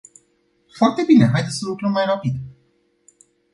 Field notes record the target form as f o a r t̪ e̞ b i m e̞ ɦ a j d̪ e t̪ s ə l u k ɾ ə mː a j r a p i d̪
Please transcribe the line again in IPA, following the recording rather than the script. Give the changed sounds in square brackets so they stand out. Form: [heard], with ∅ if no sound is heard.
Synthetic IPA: f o a r t̪ e̞ b i [n] e̞ ɦ a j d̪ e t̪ s ə l u k ɾ ə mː a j r a p i d̪